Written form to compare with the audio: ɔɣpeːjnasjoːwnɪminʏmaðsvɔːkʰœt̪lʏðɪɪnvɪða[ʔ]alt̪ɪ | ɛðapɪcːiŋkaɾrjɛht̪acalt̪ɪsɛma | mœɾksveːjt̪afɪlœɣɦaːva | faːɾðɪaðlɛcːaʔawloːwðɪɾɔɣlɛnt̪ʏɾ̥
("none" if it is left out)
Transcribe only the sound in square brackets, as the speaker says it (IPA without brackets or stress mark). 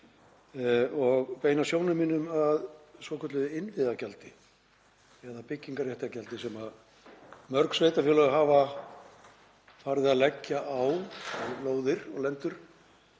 c